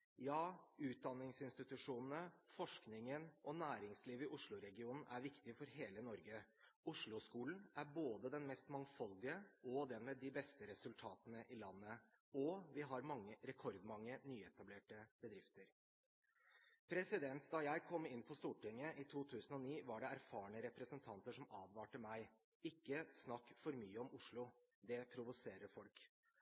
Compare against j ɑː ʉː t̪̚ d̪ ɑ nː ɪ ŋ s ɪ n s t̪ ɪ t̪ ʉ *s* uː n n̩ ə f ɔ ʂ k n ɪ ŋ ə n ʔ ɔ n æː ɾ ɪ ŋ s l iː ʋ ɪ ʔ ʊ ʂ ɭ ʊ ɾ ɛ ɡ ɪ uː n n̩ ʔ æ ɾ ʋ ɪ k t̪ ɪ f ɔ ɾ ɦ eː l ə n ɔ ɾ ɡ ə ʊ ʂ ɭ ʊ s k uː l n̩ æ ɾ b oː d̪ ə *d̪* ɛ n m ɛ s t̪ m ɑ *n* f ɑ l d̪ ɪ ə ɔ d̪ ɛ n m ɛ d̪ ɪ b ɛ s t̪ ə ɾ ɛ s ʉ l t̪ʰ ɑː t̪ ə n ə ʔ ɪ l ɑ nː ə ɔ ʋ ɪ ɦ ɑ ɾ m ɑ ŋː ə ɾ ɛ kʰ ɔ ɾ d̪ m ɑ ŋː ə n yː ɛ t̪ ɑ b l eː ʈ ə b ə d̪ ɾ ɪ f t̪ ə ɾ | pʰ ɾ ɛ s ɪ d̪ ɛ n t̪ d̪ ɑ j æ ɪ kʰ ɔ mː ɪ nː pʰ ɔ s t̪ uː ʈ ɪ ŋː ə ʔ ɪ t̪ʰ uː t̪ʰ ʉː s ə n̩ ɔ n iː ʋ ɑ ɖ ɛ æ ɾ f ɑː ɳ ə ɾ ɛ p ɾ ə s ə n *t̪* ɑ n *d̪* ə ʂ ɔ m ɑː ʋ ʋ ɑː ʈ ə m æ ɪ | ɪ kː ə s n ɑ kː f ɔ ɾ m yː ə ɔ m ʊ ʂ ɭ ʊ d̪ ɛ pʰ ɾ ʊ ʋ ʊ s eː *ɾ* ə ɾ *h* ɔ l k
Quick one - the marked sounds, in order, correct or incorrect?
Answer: incorrect, correct, incorrect, incorrect, incorrect, correct, incorrect

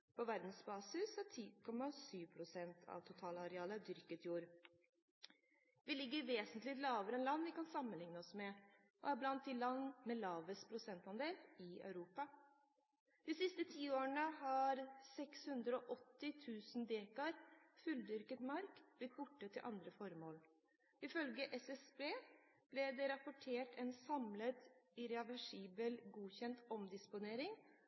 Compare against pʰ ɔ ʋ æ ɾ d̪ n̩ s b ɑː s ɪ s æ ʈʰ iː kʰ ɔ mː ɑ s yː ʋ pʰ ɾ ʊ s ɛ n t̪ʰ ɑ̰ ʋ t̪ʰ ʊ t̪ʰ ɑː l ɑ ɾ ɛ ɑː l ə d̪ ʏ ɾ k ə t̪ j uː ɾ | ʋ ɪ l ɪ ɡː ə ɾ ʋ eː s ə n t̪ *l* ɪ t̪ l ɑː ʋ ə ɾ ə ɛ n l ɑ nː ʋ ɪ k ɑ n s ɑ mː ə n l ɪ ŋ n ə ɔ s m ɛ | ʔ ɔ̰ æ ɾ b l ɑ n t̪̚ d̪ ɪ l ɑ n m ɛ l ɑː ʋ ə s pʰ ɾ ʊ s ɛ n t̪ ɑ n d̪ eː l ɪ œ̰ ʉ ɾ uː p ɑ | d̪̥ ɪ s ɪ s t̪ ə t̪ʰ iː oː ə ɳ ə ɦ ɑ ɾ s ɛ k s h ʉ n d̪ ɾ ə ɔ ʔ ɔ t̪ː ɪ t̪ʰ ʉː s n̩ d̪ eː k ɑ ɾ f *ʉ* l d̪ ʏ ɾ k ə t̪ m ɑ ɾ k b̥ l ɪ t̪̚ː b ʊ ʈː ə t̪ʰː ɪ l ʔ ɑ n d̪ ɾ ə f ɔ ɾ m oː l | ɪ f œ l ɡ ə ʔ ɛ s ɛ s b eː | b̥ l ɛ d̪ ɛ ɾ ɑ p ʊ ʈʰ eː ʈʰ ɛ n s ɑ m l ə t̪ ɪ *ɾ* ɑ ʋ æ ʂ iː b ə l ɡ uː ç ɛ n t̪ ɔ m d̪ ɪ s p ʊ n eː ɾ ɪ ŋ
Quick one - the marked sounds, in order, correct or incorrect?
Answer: correct, correct, correct

